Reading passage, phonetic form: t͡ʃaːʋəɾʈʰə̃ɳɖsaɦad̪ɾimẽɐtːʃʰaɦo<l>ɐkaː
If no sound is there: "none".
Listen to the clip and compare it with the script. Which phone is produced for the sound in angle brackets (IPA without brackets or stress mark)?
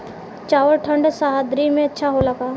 l